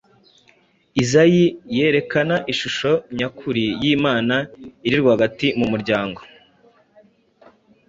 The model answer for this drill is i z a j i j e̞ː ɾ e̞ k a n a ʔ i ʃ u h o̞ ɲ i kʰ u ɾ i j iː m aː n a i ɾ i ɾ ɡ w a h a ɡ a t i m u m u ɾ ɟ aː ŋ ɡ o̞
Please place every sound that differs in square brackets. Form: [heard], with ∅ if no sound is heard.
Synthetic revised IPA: i z a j i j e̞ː ɾ e̞ k a n a ʔ i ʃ u [ʃ] o̞ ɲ [a] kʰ u ɾ i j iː m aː n a i ɾ i ɾ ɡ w a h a ɡ a t i m u m u ɾ ɟ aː ŋ ɡ o̞